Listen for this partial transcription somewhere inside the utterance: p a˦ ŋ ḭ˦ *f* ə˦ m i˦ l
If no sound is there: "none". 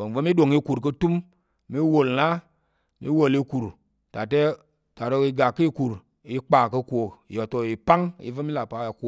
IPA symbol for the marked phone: v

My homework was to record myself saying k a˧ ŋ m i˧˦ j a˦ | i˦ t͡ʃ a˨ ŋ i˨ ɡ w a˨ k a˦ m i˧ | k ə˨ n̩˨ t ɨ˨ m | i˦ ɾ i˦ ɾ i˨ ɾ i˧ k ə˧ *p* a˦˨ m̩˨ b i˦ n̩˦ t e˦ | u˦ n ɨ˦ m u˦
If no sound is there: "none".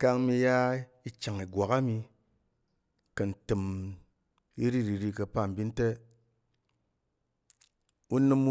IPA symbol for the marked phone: p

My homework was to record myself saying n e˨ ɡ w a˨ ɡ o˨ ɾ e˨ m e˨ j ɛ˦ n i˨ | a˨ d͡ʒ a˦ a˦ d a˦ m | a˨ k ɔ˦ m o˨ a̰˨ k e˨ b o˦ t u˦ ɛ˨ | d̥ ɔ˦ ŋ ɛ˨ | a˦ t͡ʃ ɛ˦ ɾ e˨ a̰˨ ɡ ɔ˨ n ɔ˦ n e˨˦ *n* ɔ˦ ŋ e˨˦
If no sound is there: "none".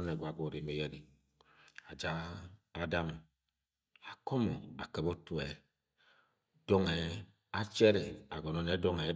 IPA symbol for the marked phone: d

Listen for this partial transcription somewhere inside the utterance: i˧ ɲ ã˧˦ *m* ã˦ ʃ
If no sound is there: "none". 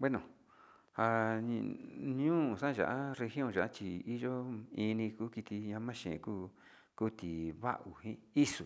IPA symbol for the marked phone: m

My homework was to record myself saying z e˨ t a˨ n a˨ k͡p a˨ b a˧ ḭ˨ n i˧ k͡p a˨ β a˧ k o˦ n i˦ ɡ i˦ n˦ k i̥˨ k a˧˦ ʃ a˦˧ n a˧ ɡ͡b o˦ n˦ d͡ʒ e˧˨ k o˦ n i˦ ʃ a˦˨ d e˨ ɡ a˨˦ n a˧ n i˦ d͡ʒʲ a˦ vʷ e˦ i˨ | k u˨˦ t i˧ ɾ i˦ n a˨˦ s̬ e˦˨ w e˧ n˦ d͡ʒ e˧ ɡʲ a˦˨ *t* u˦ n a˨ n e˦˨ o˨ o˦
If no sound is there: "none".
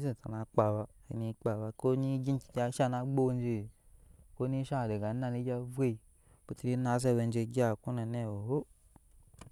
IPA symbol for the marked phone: k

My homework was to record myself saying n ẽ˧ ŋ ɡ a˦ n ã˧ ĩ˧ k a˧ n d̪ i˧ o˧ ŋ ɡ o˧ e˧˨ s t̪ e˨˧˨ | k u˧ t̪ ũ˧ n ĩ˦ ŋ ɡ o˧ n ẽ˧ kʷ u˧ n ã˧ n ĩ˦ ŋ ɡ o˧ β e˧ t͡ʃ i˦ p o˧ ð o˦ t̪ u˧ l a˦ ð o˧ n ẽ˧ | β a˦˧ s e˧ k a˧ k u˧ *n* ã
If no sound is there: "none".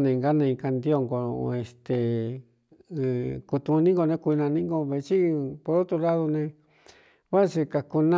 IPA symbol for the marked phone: n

